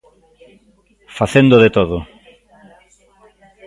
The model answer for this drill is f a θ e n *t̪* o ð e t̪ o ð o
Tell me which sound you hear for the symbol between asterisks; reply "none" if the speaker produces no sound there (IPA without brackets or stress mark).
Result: d̪